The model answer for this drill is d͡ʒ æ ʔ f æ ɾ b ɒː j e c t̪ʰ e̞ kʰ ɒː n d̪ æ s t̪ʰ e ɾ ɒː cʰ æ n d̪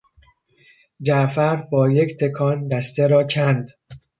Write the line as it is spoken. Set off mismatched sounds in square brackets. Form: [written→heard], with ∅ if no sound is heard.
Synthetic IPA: d͡ʒ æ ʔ f æ ɾ b ɒː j e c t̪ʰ e̞ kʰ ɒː n d̪ æ s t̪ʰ e ɾ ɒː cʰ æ n d̪